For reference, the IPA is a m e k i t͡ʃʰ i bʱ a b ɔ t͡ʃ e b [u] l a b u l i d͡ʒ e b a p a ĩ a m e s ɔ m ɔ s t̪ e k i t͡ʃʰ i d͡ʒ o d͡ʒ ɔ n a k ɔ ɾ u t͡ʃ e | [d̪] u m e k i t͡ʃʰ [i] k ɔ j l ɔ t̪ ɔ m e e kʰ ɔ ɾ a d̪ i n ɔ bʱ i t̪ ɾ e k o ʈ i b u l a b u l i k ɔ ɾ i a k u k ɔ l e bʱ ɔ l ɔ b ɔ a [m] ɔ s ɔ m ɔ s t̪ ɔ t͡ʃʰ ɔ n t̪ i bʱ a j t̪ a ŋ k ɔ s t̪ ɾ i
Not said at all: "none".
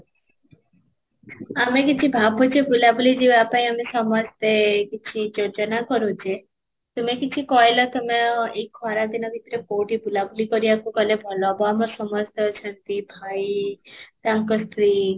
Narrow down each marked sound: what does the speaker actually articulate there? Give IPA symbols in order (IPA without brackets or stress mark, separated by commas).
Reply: u, t̪, i, m